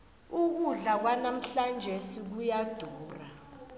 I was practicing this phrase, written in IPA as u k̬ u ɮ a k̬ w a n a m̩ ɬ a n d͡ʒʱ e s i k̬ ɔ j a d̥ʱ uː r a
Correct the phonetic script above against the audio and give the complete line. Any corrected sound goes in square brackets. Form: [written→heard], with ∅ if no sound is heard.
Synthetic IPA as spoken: u k̬ u ɮ a k̬ w a n a m̩ ɬ a n d͡ʒʱ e s i k̬ [ɔ→u] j a d̥ʱ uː r a